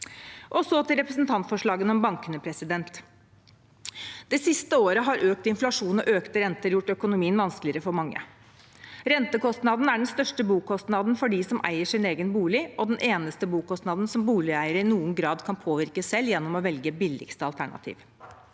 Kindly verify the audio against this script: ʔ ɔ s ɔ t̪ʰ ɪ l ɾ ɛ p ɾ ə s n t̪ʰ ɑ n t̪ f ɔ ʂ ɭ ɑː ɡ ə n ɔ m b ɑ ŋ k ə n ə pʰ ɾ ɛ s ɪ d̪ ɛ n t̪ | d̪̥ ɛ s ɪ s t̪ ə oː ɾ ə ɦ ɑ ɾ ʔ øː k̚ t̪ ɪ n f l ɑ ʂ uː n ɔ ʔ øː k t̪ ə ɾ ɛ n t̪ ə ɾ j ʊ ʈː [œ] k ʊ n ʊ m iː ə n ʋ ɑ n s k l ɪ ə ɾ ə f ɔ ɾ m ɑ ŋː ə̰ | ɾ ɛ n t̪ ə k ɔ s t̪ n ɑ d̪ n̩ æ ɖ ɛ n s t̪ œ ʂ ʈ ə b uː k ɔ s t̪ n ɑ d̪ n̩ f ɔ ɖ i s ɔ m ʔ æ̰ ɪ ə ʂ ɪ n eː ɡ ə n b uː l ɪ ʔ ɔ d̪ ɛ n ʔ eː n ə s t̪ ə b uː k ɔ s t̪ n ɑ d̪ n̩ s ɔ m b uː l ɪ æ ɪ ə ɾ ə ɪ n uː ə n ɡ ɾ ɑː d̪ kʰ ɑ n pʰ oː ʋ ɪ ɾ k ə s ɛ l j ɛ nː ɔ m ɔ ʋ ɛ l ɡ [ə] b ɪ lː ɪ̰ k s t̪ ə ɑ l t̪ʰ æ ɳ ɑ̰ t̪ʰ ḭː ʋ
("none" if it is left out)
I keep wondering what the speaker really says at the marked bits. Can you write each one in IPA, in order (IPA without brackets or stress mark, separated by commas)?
œ, ə